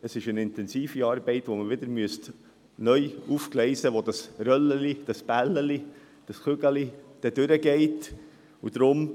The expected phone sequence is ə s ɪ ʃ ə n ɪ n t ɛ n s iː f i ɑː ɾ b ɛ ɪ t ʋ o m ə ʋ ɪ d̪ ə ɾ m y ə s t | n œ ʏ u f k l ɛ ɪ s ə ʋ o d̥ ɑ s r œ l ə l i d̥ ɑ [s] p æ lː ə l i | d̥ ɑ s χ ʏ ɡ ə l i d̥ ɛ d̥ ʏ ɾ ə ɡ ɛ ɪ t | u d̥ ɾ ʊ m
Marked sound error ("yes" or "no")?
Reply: no